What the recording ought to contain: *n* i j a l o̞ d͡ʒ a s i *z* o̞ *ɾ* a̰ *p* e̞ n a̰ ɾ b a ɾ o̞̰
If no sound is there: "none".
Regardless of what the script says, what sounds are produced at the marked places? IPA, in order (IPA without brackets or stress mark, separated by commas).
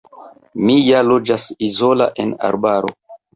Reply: m, z, l, ʔ